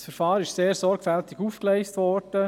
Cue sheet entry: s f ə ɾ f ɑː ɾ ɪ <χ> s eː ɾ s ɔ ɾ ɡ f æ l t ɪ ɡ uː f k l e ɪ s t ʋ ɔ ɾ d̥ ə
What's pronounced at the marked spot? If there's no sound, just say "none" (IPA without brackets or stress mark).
ʃ